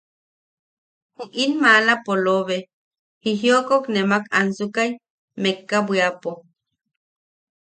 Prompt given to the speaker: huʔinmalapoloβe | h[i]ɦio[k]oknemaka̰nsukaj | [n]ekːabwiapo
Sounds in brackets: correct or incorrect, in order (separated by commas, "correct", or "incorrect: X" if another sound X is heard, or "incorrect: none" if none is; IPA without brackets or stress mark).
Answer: correct, correct, incorrect: m